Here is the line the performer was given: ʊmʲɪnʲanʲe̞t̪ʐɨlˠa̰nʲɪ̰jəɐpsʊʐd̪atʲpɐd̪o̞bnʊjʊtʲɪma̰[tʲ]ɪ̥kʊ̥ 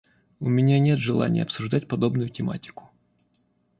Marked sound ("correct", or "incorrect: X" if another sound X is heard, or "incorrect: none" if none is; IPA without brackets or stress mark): correct